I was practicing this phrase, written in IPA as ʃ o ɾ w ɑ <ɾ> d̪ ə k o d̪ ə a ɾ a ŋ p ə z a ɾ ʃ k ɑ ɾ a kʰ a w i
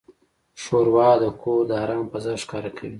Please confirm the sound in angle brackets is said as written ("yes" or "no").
no